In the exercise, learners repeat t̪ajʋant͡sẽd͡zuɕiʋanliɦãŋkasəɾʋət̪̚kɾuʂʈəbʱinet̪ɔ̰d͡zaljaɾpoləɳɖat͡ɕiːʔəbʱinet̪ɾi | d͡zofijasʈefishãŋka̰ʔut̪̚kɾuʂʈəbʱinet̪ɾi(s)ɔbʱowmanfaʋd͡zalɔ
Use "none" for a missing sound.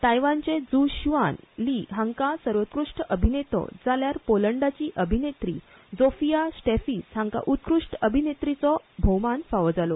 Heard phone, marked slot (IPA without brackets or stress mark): t͡s